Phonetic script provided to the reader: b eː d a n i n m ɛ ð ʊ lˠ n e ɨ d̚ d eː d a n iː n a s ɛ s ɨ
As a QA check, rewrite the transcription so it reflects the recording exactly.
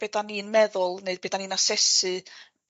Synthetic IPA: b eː d a n i n m ɛ ð ʊ lˠ n e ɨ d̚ b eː d a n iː n a s ɛ s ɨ